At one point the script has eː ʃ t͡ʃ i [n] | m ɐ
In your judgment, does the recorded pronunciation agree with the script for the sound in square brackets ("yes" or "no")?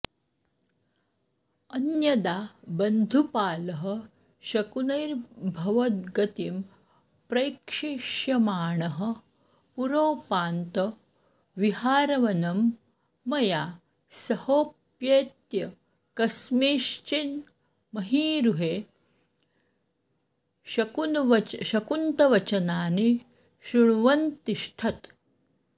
yes